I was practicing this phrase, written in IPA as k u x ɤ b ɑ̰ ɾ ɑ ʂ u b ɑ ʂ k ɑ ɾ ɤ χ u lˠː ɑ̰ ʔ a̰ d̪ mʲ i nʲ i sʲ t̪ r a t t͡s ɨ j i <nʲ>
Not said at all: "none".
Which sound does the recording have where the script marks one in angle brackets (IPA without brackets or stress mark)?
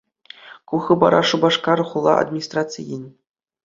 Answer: nʲ